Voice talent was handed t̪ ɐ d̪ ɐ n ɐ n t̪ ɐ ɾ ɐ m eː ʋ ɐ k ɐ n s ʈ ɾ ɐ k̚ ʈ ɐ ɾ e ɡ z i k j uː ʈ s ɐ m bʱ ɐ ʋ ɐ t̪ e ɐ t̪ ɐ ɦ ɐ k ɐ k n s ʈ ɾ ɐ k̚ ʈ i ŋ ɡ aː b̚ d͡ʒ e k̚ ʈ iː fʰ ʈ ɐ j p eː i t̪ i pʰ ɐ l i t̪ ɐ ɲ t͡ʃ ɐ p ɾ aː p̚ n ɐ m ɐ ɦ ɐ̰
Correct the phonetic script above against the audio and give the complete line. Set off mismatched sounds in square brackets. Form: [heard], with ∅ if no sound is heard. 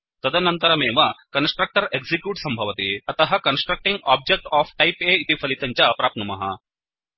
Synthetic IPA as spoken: t̪ ɐ d̪ ɐ n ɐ n t̪ ɐ ɾ ɐ m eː ʋ ɐ k ɐ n s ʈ ɾ ɐ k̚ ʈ ɐ ɾ e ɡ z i k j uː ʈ s ɐ m bʱ ɐ ʋ ɐ t̪ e ɐ t̪ ɐ ɦ ɐ k ɐ [∅] n s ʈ ɾ ɐ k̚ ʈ i ŋ ɡ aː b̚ d͡ʒ e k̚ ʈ [aː] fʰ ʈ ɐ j p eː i t̪ i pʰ ɐ l i t̪ ɐ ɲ t͡ʃ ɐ p ɾ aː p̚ n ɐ m ɐ ɦ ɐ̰